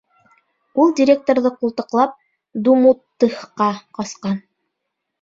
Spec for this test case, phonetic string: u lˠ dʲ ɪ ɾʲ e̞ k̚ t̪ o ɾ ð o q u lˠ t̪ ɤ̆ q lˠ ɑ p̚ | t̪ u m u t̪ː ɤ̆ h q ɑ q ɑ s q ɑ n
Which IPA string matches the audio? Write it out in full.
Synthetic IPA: u lˠ dʲ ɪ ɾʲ e̞ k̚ t̪ o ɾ ð ɤ q u lˠ t̪ ɤ̆ q lˠ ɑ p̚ | d̪ u m u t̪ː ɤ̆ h q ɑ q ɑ s q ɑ n